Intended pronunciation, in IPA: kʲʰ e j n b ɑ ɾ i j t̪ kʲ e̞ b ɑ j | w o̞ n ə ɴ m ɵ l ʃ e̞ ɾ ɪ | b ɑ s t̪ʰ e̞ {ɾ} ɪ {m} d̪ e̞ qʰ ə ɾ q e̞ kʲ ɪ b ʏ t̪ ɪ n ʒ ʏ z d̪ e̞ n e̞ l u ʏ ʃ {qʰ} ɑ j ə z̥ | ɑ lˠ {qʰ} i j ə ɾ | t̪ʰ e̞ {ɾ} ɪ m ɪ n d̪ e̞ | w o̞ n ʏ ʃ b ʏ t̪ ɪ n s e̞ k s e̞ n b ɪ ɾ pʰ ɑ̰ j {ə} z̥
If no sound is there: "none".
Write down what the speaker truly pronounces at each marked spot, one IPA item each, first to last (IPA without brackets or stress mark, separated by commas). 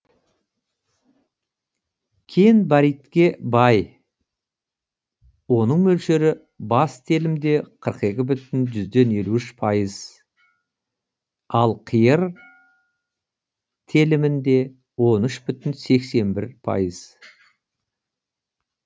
l, m, pʰ, qʰ, l, ə